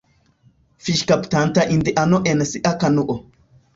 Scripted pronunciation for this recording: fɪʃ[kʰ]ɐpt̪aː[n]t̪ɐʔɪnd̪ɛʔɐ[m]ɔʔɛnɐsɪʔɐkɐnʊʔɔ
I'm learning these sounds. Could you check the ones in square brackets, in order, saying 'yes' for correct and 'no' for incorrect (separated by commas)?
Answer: no, yes, no